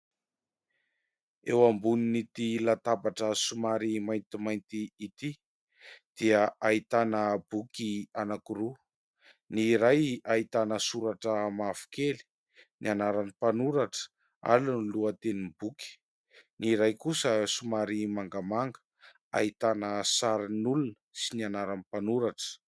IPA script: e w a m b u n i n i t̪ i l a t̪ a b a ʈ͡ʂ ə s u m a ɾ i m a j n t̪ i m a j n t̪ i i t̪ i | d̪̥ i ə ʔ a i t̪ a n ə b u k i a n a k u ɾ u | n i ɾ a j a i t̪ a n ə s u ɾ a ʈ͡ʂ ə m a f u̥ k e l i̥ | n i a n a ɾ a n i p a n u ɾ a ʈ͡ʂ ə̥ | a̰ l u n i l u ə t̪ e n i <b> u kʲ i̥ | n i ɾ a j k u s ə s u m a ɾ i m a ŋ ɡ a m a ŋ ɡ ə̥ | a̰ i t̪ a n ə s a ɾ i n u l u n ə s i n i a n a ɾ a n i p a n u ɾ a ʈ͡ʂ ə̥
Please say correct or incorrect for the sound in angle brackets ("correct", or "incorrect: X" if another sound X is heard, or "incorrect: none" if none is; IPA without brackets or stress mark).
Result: correct